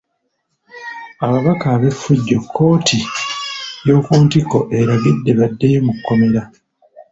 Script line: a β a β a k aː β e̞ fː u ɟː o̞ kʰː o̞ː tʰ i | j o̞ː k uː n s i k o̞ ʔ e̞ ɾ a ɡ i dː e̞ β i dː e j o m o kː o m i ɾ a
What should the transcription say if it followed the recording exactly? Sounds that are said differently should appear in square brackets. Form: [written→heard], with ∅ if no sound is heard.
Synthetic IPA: a β a β a k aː β e̞ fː u ɟː o̞ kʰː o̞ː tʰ i | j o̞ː k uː n [s→t] i k o̞ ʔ e̞ ɾ a ɡ i dː e̞ β [i→a] dː e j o m [o→u] kː o m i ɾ a